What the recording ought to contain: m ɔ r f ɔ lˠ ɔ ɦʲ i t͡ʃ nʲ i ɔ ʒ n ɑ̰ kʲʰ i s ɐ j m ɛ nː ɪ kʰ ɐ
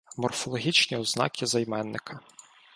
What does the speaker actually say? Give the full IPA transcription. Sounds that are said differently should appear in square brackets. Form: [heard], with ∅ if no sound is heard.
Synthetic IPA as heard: m ɔ r f ɔ lˠ ɔ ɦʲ i t͡ʃ nʲ i ɔ [z] n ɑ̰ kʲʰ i [z] ɐ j m ɛ nː ɪ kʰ ɐ